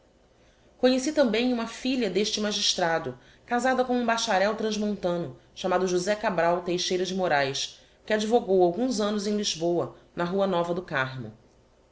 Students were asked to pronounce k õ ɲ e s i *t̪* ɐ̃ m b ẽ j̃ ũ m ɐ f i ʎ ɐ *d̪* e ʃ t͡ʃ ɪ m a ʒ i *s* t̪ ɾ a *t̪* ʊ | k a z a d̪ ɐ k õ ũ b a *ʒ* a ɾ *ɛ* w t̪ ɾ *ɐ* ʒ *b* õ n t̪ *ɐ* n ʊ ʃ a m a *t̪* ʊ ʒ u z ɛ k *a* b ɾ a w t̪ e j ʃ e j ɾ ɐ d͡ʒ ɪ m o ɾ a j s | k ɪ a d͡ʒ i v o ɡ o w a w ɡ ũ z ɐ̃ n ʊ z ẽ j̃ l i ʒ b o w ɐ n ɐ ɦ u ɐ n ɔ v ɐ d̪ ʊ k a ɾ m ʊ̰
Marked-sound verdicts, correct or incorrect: correct, correct, incorrect: ʃ, incorrect: d̪, incorrect: ʃ, correct, incorrect: ɐ̃, incorrect: m, incorrect: ɐ̃, incorrect: d̪, correct

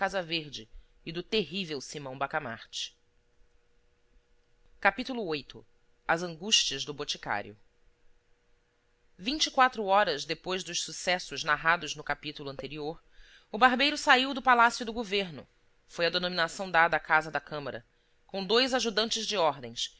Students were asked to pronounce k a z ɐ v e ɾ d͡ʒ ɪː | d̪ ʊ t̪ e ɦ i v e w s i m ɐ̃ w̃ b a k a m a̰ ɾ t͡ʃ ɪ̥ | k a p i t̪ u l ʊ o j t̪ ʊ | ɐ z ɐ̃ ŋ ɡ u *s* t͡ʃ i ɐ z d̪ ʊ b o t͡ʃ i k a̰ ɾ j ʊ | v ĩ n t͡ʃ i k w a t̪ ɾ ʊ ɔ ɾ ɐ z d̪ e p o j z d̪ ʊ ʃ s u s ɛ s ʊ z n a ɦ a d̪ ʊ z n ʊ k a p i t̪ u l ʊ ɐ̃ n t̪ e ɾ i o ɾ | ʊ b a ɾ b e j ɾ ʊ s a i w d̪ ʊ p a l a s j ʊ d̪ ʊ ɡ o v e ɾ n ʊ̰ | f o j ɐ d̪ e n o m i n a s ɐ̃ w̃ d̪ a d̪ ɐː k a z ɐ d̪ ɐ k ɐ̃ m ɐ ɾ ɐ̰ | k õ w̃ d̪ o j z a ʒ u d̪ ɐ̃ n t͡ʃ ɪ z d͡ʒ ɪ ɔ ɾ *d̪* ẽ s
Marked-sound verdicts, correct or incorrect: incorrect: ʃ, correct

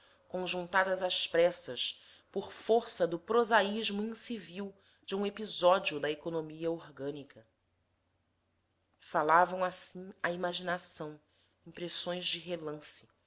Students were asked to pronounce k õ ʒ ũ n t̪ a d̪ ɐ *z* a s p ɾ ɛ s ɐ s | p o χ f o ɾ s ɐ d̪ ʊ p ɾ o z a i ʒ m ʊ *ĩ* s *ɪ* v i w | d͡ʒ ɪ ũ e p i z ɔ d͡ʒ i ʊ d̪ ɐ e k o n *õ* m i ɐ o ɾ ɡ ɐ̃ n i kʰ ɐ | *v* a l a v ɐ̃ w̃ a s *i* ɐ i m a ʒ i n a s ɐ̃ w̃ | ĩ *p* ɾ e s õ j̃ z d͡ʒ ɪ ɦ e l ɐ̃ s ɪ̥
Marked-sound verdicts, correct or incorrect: correct, correct, incorrect: i, incorrect: o, incorrect: f, incorrect: ĩ, correct

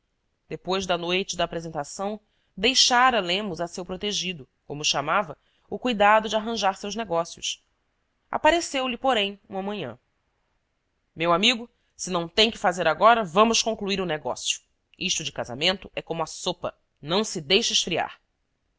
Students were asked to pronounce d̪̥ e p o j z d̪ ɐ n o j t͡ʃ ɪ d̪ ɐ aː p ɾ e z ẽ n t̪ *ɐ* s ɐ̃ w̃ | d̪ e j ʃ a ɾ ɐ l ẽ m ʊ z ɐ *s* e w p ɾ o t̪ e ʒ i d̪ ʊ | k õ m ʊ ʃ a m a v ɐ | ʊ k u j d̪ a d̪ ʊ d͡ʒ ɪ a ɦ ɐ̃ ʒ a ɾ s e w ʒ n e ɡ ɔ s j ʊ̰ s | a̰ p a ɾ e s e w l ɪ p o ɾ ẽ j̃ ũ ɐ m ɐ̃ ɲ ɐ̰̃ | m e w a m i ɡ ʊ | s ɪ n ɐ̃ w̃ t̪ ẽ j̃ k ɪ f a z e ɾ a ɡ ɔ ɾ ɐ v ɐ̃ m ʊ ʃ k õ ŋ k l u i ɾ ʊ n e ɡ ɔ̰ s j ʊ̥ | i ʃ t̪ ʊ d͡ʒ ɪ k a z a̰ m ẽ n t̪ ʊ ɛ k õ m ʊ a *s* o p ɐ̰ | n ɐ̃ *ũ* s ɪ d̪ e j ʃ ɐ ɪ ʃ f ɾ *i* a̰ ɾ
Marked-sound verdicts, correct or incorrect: incorrect: a, correct, correct, incorrect: w̃, correct

